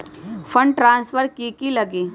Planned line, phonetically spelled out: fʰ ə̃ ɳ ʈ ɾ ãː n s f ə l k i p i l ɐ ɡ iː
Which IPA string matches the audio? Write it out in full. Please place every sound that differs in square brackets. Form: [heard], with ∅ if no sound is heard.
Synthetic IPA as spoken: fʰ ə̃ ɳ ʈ ɾ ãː n s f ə [ɾ] k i [k] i l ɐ ɡ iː